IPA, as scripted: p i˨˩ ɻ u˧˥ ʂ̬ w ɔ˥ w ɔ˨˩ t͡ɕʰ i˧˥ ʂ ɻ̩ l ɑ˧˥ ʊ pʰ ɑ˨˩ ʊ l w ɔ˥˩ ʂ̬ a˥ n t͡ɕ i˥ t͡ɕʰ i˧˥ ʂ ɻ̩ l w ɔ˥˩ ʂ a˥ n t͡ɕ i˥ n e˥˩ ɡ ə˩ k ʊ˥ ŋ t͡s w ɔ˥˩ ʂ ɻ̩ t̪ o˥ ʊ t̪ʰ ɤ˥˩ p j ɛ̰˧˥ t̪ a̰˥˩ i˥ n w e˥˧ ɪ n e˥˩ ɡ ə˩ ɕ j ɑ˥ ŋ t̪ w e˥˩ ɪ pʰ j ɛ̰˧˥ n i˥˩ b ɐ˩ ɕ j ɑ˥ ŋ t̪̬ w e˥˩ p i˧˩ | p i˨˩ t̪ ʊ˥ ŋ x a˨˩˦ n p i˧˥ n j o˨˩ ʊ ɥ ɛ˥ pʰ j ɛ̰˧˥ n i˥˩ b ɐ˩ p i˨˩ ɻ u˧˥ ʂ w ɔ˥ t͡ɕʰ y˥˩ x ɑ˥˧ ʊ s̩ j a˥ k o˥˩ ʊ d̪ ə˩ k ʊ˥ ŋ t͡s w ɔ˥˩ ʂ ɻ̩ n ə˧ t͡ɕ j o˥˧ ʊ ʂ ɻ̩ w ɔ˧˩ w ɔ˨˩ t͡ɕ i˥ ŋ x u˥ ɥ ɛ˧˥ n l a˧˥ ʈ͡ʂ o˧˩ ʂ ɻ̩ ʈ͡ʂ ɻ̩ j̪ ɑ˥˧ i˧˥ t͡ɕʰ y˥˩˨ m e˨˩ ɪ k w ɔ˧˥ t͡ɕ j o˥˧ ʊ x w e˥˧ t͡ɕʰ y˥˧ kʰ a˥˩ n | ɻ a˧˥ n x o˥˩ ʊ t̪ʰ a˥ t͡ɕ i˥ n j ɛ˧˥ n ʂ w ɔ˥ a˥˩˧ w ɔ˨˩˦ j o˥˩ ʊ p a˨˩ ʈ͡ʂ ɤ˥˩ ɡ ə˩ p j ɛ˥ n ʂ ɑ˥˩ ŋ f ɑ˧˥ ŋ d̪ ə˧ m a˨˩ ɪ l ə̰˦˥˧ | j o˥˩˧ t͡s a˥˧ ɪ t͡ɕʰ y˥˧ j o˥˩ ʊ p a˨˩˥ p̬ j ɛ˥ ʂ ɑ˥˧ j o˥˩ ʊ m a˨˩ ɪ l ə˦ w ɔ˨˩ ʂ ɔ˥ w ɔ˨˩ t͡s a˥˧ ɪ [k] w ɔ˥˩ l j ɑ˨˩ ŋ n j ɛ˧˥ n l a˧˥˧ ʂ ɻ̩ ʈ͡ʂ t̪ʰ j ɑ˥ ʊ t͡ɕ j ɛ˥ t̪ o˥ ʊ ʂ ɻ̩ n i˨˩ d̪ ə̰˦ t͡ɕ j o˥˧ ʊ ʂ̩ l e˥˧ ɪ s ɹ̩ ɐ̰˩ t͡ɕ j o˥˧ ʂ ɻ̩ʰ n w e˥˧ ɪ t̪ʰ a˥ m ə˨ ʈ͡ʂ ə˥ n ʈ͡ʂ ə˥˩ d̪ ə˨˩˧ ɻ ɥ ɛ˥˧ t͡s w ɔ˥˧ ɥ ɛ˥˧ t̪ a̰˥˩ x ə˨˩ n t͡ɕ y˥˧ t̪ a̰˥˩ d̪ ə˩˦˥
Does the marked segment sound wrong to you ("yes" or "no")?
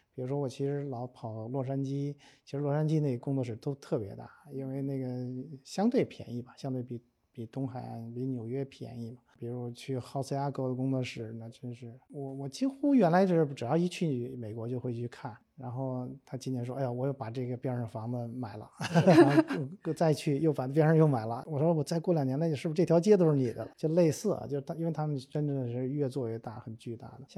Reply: no